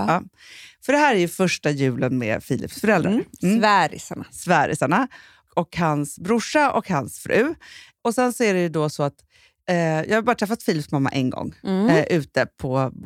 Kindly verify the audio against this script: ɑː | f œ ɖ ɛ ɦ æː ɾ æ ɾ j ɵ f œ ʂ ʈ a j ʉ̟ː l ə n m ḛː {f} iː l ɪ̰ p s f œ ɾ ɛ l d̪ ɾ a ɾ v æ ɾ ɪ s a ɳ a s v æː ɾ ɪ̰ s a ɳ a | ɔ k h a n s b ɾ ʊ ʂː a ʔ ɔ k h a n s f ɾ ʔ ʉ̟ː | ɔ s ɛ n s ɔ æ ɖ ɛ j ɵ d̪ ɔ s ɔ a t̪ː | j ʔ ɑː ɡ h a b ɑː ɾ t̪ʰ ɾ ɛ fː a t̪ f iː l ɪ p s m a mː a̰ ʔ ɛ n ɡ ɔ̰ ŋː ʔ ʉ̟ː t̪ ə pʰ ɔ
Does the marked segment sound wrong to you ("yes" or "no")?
no